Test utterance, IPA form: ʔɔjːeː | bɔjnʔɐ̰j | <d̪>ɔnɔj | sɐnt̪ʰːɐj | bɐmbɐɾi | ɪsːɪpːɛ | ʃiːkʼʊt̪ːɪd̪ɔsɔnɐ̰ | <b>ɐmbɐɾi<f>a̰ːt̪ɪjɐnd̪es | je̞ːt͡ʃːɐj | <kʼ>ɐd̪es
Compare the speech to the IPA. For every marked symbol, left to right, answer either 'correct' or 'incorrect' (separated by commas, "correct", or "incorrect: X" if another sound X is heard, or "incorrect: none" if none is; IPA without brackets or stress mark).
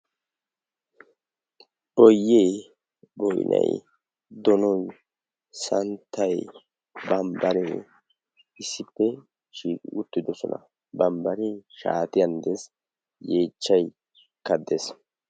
correct, correct, incorrect: ʃ, incorrect: k